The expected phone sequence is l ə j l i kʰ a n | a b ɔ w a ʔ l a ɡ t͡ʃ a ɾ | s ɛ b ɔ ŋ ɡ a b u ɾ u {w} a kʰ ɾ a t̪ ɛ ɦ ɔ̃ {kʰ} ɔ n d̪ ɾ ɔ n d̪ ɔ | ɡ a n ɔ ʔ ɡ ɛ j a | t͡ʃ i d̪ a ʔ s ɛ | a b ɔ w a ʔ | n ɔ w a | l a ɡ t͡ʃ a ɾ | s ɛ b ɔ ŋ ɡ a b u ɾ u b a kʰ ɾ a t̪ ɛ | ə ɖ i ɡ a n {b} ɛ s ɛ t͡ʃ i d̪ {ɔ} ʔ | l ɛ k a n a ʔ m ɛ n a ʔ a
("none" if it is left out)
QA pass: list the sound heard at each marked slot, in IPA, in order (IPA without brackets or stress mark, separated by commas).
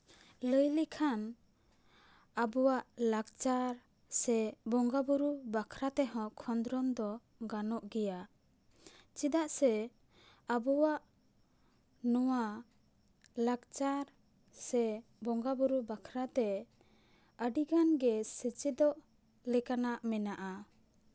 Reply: b, kʰ, ɡ, ɔ